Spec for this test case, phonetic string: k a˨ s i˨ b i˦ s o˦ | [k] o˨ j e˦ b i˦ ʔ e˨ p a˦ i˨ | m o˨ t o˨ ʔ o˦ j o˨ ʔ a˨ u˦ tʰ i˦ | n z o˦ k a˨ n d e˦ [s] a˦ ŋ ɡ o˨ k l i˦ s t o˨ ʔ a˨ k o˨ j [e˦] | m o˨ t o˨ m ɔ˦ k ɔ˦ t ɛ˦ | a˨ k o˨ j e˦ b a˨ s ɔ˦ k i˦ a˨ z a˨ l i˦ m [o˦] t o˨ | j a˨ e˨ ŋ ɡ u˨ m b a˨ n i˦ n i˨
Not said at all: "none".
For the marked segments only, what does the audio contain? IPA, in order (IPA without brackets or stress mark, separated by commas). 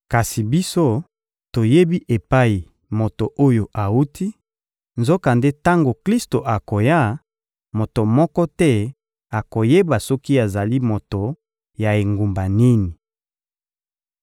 t, t, a˦, o˨